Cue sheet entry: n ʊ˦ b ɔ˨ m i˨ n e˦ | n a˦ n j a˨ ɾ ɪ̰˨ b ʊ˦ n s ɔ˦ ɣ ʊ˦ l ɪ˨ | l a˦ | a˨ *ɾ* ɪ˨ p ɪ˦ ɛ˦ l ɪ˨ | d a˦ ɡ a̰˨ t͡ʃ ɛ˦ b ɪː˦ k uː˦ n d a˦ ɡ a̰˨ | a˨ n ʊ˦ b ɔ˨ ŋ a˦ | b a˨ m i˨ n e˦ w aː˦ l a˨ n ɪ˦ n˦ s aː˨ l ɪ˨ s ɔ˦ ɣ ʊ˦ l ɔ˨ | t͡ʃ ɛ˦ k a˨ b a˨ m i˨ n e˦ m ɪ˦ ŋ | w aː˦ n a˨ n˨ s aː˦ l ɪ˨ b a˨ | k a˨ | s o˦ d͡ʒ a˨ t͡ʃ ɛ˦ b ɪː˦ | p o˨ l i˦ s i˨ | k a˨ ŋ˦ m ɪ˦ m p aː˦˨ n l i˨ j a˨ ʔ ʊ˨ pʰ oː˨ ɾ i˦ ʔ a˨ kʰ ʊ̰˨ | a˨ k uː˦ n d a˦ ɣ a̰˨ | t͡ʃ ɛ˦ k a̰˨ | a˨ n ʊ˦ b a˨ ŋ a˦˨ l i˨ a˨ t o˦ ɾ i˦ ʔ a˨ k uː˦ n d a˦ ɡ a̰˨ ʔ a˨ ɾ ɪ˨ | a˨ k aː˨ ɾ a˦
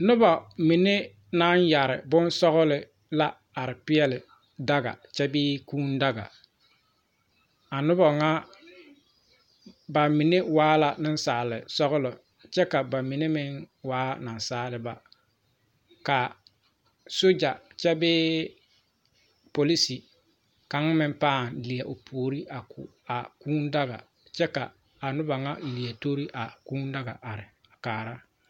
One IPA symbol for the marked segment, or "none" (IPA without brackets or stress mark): ɾ